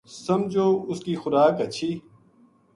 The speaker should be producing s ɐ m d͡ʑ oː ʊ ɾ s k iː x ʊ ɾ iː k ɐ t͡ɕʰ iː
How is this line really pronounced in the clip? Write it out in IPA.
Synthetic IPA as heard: s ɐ m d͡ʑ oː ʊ s k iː x ʊ ɾ aː k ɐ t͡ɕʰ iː